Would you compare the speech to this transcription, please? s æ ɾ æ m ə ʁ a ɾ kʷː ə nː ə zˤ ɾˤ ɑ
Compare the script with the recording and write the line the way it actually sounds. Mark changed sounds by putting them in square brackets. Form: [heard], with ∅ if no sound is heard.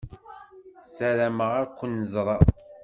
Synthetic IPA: s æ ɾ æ m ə ʁ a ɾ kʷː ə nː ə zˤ ɾˤ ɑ

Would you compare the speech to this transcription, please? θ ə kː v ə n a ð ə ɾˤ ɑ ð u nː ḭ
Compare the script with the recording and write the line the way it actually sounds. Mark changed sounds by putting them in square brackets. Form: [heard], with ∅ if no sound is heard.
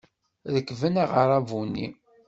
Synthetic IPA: [ð] ə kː v ə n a [ʁ] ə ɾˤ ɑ [v] u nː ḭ

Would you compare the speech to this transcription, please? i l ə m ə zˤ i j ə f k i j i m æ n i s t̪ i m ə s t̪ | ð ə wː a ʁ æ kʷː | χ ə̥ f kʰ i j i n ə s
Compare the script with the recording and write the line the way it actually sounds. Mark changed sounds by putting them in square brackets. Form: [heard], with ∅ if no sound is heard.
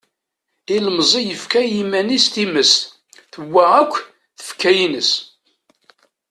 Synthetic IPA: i l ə m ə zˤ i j ə f k [æ] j i m æ n i s t̪ i m ə s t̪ | [θ] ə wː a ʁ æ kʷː | [θ] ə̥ f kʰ [æ] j i n ə s

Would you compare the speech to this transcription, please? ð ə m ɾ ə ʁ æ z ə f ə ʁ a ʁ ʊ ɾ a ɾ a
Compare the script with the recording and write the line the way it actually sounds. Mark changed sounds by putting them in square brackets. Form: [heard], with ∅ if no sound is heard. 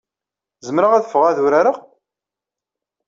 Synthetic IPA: [z] ə m ɾ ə ʁ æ [ð] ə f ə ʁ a [ð] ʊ ɾ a ɾ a

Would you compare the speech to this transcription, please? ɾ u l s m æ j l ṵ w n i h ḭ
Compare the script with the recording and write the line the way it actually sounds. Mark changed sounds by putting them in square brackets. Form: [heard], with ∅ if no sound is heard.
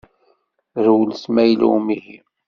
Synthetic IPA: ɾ [w] l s m æ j l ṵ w [m] i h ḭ

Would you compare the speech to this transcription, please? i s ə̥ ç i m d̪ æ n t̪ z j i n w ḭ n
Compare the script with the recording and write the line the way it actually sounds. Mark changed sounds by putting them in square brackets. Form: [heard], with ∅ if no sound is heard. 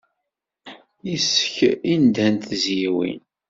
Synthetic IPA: i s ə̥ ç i [n] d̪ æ n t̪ z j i [∅] w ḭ n

